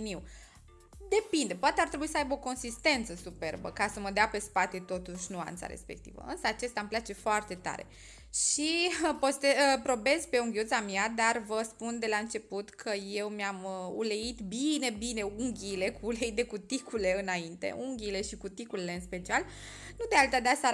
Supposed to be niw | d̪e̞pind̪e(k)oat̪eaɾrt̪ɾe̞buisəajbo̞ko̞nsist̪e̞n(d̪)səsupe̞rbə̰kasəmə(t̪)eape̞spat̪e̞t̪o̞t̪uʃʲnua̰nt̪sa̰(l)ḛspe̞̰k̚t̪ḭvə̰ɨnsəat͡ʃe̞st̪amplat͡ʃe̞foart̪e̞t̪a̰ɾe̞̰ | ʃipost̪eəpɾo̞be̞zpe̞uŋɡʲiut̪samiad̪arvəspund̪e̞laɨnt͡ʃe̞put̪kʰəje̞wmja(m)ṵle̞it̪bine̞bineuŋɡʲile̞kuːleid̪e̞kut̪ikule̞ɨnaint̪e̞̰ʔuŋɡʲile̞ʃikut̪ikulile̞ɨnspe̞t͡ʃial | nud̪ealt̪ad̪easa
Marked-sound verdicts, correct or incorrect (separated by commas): incorrect, incorrect, incorrect, incorrect, correct